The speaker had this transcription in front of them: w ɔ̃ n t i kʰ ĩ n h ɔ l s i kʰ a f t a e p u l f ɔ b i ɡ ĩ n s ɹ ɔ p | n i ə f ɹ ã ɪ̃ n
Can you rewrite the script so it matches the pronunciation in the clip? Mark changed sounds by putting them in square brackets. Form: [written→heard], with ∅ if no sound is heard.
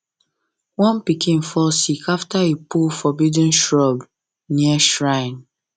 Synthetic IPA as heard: w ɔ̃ n [t→p] i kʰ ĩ n [h→f] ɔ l s i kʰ a f t a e p u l f ɔ b i [ɡ→d] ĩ n [s→ʃ] ɹ ɔ [p→b] | n i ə [f→ʃ] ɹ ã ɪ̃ n